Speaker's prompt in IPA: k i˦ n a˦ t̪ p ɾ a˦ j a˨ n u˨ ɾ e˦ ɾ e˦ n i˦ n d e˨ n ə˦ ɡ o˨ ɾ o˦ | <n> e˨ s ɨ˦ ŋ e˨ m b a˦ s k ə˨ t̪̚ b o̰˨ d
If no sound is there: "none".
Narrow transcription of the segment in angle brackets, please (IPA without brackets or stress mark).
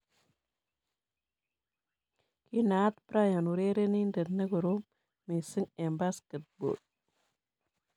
m